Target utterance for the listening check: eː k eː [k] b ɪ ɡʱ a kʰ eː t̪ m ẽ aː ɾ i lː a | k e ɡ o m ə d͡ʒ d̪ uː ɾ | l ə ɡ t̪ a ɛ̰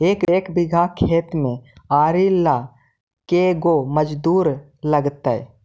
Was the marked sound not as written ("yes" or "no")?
no